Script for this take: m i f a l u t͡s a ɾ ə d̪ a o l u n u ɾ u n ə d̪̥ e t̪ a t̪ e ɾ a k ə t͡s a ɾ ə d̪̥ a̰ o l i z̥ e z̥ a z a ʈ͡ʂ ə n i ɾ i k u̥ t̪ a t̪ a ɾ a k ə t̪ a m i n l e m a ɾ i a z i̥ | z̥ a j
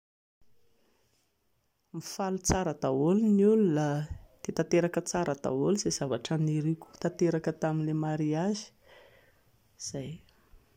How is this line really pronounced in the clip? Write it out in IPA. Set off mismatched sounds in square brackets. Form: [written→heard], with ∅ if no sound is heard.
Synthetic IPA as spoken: m i f a l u t͡s a ɾ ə d̪ a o l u n u [ɾ→l] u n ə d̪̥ e t̪ a t̪ e ɾ a k ə t͡s a ɾ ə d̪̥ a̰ o l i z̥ e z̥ a [z→v] a ʈ͡ʂ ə n i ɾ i k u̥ t̪ a t̪ [a→e] ɾ a k ə t̪ a m i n l e m a ɾ i a z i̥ | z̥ a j